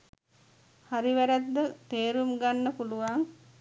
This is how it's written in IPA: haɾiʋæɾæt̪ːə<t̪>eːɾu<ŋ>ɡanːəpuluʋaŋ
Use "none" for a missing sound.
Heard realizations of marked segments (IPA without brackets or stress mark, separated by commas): t̪, m